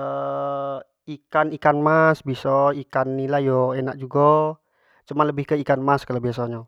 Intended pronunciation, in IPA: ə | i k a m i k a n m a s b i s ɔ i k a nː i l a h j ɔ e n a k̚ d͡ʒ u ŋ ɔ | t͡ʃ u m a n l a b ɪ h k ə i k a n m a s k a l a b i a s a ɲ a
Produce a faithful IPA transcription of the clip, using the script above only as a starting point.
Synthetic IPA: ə | i k a n i k a n m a s b i s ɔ i k a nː i l a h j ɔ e n a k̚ d͡ʒ u ɡ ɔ | t͡ʃ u m a n l ə b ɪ h k ə i k a n m a s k a l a b i a s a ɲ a